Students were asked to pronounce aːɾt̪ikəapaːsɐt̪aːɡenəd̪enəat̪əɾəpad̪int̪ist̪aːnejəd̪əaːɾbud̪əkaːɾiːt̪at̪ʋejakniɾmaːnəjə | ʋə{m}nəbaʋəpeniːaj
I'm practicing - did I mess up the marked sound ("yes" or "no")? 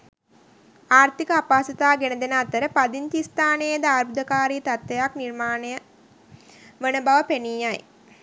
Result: yes